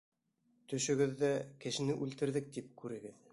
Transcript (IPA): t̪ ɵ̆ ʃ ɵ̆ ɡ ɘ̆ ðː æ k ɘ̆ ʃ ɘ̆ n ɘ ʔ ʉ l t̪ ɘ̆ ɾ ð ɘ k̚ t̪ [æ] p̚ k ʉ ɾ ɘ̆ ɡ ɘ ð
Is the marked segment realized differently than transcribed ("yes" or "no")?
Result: yes